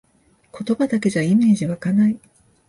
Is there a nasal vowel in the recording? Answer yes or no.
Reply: no